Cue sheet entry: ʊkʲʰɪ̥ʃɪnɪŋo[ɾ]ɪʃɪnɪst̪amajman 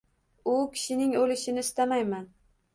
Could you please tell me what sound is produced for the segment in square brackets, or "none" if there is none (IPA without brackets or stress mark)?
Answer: l